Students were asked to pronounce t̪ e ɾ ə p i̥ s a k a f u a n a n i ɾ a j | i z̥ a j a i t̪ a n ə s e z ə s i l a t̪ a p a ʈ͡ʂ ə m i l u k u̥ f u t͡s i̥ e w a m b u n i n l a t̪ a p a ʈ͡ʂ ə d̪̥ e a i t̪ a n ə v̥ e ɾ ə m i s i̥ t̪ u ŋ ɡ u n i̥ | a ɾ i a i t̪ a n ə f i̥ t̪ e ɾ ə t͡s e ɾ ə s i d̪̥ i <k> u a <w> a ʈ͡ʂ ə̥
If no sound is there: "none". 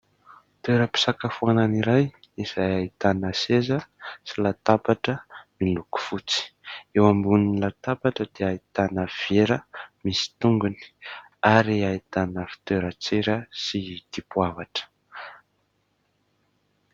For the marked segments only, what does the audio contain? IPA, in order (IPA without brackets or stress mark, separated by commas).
p, v